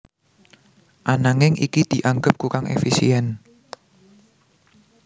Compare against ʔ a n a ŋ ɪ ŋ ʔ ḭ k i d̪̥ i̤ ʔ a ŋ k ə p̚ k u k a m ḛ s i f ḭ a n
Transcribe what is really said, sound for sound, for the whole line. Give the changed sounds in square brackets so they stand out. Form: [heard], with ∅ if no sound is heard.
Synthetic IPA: ʔ a n a ŋ ɪ ŋ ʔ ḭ k i d̪̥ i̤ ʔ a ŋ [ɡ] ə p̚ k u k a [ŋ] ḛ [f] i [s] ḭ [ɛ] n

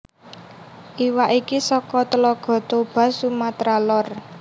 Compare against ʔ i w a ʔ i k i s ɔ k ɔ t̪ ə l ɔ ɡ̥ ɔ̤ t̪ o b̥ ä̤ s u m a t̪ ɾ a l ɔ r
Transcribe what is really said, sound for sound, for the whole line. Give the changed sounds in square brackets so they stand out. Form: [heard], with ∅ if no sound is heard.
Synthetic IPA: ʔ i w a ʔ i k i s ɔ k ɔ t̪ ə l ɔ ɡ̥ ɔ̤ t̪ o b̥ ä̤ s u m a t̪ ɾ a l ɔ r

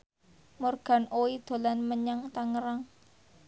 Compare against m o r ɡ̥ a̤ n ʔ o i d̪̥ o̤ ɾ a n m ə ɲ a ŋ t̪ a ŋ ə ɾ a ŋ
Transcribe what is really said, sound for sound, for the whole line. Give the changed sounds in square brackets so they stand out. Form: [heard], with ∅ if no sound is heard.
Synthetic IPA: m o r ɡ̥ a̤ n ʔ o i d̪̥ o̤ [l] a n m ə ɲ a ŋ t̪ a ŋ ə ɾ a ŋ

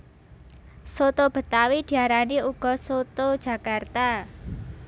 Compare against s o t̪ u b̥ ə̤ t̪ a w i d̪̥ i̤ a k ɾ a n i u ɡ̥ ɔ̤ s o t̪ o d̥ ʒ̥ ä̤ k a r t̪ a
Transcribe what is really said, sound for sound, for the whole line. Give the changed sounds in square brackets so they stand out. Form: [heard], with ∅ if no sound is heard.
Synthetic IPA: s o t̪ [o] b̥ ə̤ t̪ a w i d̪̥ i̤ a [∅] ɾ a n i u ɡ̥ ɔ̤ s o t̪ o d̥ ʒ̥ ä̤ k a r t̪ a

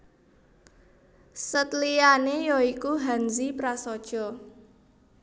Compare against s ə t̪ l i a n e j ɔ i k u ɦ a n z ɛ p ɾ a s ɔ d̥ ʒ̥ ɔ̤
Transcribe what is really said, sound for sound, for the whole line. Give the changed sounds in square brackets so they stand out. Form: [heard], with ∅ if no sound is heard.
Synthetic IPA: s ə t̪ l i a n e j ɔ i k u ɦ a n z [i] p ɾ a s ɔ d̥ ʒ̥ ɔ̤

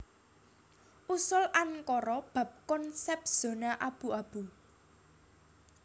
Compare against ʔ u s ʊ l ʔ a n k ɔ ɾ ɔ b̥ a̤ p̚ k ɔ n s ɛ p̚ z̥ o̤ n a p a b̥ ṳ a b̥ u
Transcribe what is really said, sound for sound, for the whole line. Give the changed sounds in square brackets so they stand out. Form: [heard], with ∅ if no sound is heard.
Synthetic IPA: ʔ u s ʊ l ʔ a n k ɔ ɾ ɔ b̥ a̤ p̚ k ɔ n s ɛ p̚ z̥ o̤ n a [ʔ] a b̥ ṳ a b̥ u

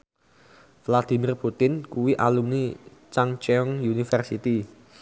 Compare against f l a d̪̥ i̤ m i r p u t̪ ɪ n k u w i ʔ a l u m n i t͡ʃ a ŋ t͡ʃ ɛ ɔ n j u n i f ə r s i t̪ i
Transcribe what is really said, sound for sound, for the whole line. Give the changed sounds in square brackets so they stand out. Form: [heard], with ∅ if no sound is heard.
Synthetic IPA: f l a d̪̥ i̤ m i r p u t̪ ɪ n k u w i ʔ a l u m n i t͡ʃ a ŋ t͡ʃ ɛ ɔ [ŋ] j u n i f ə r s i t̪ i

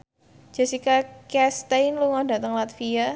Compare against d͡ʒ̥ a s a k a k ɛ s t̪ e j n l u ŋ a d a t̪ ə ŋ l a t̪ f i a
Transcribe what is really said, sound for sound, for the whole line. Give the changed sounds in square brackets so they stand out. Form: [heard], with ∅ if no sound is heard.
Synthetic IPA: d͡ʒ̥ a s [i] k a k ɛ s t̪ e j n l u ŋ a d a t̪ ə ŋ l a t̪ f i a

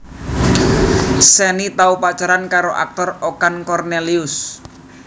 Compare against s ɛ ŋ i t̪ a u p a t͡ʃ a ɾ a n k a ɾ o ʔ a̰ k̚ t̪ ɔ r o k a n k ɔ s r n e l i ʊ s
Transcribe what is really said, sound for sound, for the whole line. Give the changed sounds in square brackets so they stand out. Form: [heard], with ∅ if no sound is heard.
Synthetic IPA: s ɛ [n] i t̪ a u p a t͡ʃ a ɾ a n k a ɾ o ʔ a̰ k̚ t̪ ɔ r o k a n k ɔ [∅] r n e l i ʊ s

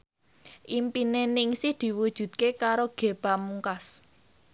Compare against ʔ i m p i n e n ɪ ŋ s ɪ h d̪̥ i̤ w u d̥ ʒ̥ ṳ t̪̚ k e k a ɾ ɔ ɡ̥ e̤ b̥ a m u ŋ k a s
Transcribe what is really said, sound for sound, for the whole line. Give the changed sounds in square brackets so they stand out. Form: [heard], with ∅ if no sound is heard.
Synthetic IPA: ʔ i m p i n e n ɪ ŋ s ɪ h d̪̥ i̤ w u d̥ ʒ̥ ṳ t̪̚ k e k a ɾ [o] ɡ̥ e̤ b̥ a m u ŋ k a s

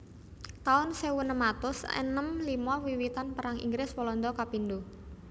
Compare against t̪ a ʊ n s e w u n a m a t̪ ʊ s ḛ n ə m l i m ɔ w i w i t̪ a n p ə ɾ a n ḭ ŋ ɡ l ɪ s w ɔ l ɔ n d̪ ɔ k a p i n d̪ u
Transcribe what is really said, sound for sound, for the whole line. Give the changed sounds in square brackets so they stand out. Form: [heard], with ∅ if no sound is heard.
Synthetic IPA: t̪ a ʊ n s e w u n [ə] m a t̪ ʊ s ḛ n ə m l i m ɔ w i w i t̪ a n p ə ɾ a [ŋ] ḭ ŋ ɡ [ɾ] ɪ s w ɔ l ɔ n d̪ ɔ k a p i n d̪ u

